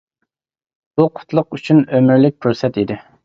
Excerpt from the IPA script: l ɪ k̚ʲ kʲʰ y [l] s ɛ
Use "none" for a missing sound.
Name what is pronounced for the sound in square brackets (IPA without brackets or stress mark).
ɾ